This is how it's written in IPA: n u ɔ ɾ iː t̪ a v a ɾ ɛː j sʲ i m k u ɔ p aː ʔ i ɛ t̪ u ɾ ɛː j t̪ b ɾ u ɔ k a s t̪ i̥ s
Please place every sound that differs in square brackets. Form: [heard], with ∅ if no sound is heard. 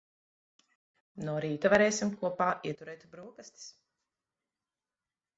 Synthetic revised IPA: n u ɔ ɾ iː t̪ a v a ɾ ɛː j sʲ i m k u ɔ p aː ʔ i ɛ t̪ u ɾ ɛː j t̪ b ɾ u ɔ k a s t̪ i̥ s